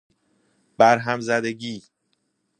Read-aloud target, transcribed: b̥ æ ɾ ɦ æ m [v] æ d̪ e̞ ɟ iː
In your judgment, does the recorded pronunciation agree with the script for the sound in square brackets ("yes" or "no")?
no